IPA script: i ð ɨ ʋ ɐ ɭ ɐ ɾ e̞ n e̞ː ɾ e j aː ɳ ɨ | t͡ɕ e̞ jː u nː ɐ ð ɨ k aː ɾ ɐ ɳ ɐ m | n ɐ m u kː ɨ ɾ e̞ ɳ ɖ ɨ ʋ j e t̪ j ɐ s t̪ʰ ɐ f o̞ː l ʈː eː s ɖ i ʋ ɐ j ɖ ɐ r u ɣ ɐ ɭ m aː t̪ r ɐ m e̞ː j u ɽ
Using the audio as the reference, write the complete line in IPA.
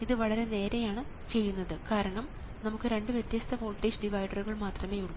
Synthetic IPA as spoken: i ð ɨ ʋ ɐ ɭ ɐ ɾ e̞ n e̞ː ɾ e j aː ɳ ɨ | t͡ɕ e̞ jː u nː ɐ ð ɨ k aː ɾ ɐ ɳ ɐ m | n ɐ m u kː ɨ ɾ e̞ ɳ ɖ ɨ ʋ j e t̪ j ɐ s t̪ʰ ɐ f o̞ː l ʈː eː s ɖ i ʋ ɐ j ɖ ɐ r u ɣ ɐ ɭ m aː t̪ r ɐ m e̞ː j u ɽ